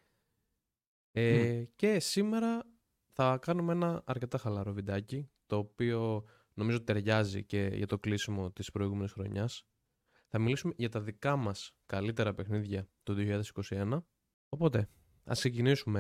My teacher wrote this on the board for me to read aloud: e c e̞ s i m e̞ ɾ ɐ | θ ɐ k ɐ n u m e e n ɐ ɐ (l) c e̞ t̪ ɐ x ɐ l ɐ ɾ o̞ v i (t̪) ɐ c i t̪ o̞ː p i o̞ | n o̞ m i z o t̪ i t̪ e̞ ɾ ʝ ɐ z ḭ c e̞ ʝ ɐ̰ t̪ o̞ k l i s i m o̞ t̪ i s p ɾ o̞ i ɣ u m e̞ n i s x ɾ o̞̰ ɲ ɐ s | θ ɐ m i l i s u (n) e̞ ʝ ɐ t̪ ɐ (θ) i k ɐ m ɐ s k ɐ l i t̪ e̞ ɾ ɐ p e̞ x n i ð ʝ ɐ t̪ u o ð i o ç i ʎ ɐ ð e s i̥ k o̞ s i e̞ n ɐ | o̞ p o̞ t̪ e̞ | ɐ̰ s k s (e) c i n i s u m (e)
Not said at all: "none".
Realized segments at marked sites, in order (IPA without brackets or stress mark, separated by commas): ɾ, d̪, m, ð, e, e